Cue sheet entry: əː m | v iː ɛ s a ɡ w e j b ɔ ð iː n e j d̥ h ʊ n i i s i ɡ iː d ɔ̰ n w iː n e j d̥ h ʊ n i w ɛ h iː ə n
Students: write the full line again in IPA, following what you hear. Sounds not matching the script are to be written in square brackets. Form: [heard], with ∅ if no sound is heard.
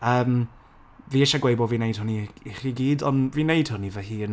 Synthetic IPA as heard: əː m | v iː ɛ [ʃ] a ɡ w e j b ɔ [v] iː n e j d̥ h ʊ n i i [χ] i ɡ iː d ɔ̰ n [v] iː n e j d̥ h ʊ n i [v] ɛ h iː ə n